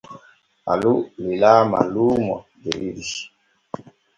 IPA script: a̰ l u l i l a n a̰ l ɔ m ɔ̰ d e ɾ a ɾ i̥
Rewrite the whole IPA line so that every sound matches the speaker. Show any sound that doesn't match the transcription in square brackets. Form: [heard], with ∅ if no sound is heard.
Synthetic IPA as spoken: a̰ l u l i l a [m] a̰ l [u] m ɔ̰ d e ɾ [i] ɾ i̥